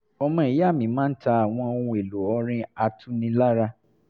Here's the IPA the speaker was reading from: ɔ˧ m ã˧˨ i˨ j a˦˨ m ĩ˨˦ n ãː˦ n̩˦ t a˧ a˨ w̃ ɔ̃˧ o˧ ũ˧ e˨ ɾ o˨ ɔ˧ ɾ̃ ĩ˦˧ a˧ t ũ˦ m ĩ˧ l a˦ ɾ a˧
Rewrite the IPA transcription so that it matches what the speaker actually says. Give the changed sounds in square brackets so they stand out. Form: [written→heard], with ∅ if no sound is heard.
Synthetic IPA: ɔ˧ m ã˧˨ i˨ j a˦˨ m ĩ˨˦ [n→m] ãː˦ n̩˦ t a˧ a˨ w̃ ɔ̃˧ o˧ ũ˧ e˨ [ɾ→l] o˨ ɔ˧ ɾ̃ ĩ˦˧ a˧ t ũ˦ [m→n] ĩ˧ l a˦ ɾ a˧